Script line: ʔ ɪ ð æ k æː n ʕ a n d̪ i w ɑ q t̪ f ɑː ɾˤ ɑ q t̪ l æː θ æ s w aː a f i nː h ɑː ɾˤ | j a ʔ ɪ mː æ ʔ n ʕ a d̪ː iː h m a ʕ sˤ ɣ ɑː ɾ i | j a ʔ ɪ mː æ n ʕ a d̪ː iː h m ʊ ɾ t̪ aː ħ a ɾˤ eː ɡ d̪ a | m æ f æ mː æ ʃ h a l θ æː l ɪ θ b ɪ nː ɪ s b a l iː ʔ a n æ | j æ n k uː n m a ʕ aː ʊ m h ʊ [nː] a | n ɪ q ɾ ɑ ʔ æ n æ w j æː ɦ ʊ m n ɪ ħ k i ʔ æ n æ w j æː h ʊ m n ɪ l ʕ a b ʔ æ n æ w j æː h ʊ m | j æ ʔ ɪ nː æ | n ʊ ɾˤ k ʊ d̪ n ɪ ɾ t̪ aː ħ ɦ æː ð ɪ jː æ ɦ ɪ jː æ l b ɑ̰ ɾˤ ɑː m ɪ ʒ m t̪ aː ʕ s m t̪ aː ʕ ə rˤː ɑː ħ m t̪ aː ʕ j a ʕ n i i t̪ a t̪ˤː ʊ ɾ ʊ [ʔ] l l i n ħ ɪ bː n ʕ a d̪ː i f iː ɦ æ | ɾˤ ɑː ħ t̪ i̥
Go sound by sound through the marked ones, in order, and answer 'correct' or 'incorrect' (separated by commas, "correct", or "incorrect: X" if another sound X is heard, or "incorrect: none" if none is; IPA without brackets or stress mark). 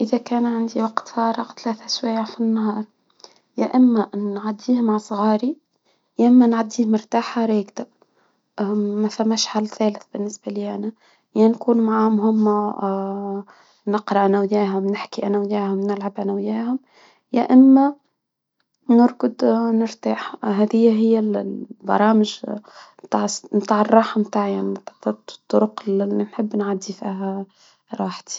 incorrect: mː, incorrect: q